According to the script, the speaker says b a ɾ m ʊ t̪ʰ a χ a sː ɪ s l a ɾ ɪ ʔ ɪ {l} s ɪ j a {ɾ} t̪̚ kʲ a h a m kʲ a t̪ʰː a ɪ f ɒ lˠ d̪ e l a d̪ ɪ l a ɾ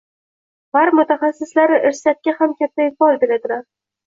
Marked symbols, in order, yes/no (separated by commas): no, no